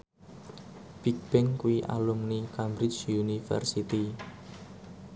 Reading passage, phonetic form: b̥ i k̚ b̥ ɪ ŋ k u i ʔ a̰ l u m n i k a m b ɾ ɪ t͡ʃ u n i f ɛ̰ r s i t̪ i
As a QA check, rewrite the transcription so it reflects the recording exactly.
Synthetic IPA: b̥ i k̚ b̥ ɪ ŋ k u i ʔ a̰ l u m n i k a m b ɾ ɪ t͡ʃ u n i f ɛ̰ r s i t̪ i